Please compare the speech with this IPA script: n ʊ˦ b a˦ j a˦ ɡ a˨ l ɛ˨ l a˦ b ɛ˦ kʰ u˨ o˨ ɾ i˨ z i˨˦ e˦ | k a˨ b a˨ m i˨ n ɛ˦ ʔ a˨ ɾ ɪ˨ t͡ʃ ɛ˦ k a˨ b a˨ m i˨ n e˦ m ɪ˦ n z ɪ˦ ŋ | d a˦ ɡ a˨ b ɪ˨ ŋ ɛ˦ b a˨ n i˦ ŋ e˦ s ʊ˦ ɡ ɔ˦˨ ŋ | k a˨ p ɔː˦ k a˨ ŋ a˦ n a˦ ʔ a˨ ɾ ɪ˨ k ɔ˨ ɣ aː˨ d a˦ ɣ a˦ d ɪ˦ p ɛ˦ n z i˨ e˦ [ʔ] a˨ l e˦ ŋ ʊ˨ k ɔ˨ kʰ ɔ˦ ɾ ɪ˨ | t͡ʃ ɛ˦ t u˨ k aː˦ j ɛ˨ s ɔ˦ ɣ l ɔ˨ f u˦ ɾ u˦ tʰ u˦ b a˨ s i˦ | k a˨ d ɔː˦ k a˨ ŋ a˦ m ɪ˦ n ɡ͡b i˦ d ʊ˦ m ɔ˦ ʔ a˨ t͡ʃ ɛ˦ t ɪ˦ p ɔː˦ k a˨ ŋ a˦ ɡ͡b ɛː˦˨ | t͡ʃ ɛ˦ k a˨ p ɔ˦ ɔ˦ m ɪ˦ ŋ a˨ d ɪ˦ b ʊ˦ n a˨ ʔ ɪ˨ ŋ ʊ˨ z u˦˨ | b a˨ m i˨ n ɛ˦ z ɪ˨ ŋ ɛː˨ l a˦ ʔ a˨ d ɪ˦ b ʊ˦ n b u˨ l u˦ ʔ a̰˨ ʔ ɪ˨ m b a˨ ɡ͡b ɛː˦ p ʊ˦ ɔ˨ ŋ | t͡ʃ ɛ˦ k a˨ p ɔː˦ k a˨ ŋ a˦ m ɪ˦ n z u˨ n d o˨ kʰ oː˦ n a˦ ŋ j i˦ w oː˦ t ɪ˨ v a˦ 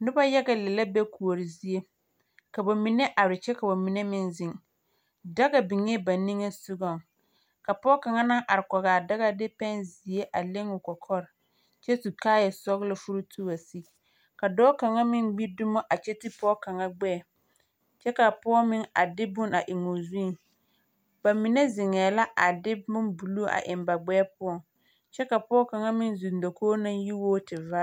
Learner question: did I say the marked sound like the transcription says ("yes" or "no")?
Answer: yes